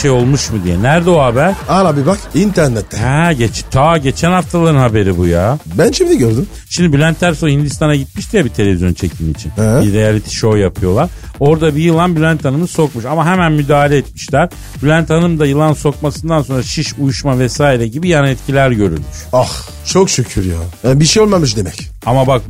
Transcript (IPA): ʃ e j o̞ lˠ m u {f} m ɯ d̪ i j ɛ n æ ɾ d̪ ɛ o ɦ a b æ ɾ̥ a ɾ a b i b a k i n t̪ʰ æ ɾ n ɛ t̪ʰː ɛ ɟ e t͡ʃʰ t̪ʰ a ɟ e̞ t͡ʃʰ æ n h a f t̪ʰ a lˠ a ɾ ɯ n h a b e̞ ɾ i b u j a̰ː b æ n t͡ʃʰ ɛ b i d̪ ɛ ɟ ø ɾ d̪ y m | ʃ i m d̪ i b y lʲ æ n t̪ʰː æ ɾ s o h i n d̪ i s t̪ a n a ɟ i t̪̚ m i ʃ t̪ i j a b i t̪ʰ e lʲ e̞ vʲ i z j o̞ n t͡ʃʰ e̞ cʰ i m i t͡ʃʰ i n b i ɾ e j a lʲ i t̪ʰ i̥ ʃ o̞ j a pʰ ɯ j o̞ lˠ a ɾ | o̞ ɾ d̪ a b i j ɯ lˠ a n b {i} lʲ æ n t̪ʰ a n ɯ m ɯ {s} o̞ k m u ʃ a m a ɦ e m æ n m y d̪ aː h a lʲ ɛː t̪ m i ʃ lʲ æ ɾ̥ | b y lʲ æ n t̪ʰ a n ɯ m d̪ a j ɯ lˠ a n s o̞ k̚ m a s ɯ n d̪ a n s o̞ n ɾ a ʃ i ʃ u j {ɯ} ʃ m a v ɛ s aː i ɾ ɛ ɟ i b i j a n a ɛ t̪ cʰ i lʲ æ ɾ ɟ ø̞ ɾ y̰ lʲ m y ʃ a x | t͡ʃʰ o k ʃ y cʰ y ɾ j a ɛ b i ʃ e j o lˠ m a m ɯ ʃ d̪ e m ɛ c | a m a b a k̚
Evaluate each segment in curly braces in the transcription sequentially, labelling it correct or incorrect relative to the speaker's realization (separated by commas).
incorrect, incorrect, correct, incorrect